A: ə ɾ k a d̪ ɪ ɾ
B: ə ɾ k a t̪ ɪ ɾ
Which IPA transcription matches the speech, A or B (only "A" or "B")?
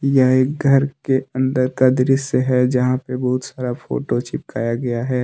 A